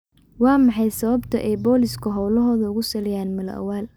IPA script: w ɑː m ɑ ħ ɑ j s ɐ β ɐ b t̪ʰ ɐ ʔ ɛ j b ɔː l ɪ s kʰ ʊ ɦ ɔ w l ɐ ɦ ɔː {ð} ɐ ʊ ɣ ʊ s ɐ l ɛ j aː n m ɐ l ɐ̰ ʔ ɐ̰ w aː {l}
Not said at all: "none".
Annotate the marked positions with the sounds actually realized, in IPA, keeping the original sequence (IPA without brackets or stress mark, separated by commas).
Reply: ð, l